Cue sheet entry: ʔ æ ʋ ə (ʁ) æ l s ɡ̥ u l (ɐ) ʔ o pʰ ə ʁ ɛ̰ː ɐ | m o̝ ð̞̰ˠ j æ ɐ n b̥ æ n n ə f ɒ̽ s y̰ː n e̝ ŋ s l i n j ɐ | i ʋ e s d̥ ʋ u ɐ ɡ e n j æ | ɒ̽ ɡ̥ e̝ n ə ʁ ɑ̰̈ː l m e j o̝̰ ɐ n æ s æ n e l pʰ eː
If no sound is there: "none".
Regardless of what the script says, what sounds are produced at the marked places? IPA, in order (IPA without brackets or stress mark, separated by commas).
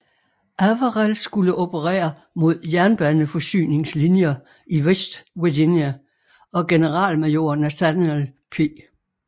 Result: ʁ, ə